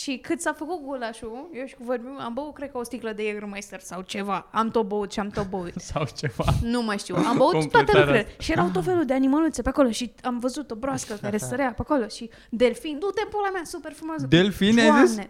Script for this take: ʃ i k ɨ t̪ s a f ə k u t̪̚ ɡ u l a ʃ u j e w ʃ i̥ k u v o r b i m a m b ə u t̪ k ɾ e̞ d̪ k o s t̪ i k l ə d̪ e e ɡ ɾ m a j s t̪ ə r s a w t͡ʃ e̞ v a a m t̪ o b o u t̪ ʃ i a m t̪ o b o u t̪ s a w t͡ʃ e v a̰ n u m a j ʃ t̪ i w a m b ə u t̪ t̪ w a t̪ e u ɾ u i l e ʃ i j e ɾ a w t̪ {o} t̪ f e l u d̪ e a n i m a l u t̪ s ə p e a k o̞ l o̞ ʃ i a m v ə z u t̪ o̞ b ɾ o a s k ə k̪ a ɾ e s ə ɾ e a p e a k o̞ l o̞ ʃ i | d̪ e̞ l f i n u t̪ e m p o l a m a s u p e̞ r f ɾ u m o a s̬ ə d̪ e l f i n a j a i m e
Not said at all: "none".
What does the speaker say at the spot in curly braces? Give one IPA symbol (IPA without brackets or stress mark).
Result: o